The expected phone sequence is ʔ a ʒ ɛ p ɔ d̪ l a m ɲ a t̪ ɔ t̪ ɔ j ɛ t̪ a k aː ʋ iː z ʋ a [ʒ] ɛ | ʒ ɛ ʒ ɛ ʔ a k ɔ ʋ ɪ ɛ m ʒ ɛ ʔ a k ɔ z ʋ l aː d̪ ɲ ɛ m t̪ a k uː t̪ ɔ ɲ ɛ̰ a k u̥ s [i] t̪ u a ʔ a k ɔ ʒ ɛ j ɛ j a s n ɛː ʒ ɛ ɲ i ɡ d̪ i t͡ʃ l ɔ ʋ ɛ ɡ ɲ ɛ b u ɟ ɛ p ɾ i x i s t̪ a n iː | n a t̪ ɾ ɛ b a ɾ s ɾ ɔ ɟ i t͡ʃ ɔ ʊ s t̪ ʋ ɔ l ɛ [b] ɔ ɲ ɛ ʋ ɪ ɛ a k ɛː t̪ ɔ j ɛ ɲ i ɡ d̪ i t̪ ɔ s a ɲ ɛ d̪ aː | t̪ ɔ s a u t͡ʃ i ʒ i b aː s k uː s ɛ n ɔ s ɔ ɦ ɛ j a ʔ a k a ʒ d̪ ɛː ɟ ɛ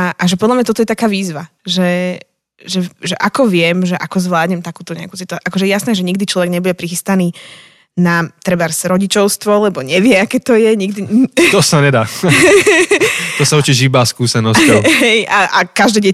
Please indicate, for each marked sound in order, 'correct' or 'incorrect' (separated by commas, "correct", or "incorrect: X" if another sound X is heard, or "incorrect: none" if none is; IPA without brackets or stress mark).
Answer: correct, correct, correct